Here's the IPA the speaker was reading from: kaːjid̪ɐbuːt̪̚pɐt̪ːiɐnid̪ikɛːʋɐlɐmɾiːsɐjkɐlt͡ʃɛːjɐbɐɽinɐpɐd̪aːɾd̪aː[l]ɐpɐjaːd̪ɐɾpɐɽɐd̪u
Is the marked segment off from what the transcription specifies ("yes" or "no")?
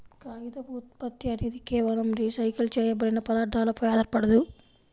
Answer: no